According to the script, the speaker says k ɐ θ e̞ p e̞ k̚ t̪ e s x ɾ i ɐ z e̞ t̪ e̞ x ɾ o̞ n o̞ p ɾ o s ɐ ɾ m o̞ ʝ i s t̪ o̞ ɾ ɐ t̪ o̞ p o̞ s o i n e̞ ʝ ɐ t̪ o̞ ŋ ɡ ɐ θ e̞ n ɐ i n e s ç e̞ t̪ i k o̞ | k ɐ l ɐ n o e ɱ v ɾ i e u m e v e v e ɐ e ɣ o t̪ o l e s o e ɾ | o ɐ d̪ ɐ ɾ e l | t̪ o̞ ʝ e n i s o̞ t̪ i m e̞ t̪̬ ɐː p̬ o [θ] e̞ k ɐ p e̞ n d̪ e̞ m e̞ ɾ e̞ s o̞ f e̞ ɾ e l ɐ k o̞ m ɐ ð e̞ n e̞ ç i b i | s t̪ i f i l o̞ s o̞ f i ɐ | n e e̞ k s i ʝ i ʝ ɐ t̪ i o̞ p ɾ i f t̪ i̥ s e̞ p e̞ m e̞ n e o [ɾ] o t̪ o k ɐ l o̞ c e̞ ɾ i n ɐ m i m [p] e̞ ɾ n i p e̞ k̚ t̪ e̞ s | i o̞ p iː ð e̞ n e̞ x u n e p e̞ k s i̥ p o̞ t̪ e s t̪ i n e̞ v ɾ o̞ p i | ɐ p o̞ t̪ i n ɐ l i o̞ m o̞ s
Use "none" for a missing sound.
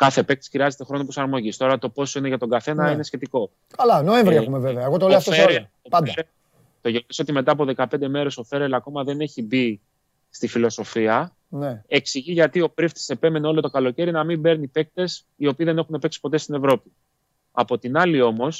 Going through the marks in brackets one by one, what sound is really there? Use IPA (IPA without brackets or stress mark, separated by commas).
ð, l, b